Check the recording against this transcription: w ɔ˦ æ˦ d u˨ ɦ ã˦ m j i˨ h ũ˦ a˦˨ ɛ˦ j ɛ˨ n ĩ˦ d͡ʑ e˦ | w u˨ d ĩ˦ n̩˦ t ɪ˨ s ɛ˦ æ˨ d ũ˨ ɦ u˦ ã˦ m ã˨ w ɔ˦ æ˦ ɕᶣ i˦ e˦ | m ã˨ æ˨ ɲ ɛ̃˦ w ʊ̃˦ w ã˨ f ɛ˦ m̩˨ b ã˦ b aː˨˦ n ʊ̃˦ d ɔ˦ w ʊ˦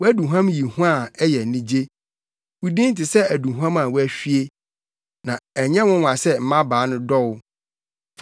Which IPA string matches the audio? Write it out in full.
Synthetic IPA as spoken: w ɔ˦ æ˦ d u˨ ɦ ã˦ m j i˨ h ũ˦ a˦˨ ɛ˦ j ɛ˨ n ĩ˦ d͡ʑ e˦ | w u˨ d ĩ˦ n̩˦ t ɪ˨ s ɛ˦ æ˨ d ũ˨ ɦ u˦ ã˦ m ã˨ w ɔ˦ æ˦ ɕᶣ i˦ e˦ | n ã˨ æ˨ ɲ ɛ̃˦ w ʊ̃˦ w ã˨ s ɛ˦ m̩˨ m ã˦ b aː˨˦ n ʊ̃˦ d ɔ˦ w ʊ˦

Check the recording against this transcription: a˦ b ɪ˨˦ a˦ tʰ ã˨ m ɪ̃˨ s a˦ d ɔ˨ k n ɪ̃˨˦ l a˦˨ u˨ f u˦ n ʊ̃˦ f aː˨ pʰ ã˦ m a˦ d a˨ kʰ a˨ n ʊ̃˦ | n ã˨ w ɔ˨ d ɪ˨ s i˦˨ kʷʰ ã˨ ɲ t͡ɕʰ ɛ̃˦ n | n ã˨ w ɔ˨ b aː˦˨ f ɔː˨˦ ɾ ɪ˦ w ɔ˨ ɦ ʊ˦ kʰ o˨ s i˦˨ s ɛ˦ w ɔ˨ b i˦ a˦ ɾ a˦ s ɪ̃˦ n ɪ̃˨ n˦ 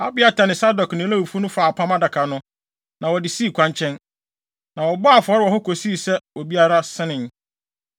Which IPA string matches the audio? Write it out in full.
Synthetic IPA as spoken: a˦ b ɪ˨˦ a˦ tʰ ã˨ n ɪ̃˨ s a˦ d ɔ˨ k n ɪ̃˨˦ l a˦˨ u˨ f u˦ n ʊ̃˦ f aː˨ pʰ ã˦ m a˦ d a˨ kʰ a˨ n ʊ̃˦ | n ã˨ w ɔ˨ d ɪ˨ s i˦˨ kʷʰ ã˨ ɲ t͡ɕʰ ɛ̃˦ n | n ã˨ w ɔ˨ b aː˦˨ f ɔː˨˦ ɾ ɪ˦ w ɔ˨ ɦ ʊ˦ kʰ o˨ s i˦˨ s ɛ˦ w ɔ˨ b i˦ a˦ ɾ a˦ s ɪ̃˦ n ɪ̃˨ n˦

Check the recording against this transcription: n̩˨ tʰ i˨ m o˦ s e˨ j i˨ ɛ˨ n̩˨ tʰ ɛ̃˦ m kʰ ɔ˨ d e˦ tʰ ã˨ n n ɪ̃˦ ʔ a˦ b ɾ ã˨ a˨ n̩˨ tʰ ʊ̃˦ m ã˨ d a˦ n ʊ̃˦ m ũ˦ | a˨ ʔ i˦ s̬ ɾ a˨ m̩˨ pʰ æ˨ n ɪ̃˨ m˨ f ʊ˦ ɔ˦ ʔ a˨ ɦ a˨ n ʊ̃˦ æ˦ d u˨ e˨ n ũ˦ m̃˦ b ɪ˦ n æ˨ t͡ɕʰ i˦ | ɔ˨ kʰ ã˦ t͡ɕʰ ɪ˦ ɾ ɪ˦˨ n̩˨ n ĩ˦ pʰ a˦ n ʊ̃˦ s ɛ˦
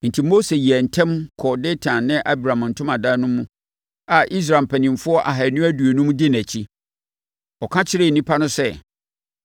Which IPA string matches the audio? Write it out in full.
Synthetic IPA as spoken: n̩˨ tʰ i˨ m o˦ s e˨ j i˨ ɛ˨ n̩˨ tʰ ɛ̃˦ m kʰ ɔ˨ d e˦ tʰ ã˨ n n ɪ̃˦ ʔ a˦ b ɾ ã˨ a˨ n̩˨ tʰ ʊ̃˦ m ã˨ d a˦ n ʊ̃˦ m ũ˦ | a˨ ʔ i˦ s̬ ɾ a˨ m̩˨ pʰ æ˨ n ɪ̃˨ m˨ f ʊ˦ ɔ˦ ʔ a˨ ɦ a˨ n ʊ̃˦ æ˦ d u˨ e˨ n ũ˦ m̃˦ d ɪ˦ n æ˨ t͡ɕʰ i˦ | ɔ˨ kʰ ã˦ t͡ɕʰ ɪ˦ ɾ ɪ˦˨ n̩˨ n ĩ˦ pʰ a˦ n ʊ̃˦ s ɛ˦

